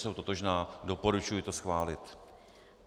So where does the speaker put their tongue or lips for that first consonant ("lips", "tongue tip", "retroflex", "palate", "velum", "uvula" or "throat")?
tongue tip